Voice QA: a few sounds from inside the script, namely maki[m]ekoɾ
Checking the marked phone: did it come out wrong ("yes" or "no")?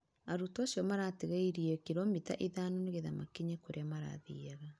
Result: yes